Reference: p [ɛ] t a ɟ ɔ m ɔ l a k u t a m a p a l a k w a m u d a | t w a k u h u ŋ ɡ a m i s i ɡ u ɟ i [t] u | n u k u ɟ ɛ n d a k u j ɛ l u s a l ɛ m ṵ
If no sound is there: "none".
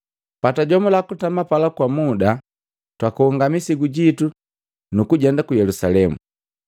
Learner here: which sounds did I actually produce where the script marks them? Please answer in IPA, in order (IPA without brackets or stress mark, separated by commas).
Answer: a, t